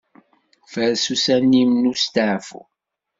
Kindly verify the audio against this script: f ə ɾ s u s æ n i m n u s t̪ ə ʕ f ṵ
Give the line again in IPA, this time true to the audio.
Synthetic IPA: f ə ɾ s u s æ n i m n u s t̪ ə ʕ f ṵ